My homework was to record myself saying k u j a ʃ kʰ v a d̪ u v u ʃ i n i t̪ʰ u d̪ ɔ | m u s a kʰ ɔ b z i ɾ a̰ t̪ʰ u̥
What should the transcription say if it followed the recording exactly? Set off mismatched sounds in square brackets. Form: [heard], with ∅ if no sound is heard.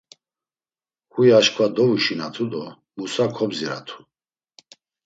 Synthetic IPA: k u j a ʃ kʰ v a d̪ [ɔ] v u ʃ i n [a] t̪ʰ u d̪ ɔ | m u s a kʰ ɔ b z i ɾ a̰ t̪ʰ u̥